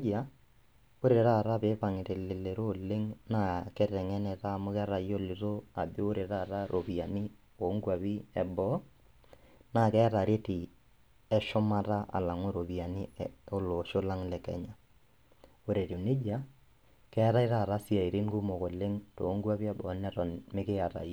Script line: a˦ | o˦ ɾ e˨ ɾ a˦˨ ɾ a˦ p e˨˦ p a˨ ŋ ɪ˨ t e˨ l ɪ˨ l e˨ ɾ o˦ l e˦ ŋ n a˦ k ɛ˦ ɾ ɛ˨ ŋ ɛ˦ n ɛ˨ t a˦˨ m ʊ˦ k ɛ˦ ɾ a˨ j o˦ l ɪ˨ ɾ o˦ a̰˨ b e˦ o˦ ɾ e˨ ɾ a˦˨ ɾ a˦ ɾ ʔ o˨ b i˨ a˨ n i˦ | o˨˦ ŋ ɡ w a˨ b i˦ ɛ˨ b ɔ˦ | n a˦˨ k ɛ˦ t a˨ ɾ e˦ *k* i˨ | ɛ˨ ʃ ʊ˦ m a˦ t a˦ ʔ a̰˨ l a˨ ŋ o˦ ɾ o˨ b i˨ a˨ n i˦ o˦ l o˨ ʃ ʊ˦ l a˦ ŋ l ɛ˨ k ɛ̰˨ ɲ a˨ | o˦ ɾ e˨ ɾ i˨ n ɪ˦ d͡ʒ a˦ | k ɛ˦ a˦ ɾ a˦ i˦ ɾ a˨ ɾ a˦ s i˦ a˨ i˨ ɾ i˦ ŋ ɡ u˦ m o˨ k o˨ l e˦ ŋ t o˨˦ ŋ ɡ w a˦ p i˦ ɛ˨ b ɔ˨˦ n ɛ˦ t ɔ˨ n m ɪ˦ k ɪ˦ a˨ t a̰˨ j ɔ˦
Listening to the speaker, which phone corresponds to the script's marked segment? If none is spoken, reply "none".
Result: t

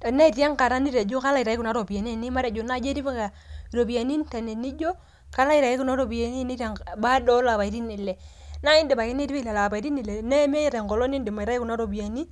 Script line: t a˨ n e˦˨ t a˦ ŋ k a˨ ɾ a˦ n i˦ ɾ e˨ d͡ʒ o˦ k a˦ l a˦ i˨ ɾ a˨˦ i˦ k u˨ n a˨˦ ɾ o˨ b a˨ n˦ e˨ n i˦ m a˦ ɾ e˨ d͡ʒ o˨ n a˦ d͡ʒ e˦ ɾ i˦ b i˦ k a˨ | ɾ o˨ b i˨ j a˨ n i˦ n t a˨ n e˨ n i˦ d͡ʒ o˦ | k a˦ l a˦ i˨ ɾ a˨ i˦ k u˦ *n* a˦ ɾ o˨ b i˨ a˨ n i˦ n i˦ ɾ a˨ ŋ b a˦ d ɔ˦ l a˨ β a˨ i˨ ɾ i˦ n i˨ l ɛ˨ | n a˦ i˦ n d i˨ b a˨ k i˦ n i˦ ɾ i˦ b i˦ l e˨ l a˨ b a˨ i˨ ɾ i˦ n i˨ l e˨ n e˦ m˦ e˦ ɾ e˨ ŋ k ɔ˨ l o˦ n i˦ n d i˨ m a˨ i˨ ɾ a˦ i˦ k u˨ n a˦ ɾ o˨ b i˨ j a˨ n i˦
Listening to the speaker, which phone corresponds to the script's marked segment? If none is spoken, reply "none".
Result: n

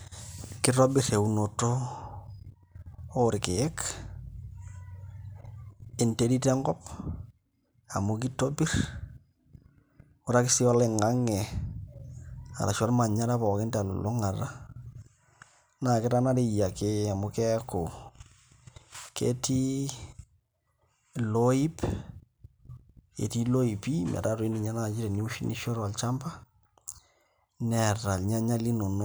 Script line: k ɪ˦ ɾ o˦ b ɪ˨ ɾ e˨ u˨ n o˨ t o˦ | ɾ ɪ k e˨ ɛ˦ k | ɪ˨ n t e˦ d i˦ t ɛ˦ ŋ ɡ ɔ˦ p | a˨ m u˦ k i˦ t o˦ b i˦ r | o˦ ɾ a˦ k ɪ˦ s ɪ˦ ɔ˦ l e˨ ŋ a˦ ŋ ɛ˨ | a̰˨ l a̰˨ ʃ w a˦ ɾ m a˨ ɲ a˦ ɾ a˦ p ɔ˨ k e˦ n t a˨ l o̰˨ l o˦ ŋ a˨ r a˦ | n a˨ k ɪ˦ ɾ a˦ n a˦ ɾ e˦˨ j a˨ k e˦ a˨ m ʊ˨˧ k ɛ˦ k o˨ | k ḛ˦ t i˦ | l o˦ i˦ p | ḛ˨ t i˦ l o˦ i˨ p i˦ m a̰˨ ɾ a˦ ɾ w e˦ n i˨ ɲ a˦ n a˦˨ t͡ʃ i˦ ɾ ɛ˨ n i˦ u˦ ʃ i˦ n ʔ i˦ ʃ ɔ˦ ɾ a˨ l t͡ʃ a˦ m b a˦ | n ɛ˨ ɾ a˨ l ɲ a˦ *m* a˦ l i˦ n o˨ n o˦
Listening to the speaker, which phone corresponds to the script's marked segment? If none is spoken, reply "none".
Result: ɲ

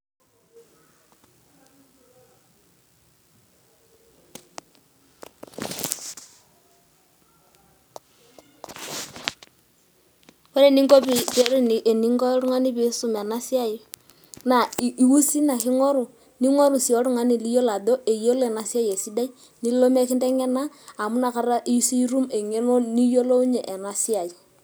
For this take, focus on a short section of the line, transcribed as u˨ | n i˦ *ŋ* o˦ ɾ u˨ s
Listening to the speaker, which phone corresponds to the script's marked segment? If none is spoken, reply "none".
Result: ŋ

